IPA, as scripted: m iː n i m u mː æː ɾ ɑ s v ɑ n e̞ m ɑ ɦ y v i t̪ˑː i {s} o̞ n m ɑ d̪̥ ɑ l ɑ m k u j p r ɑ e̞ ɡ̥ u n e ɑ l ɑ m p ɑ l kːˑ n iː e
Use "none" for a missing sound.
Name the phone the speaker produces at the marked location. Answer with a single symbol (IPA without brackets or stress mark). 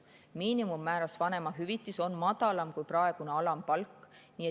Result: s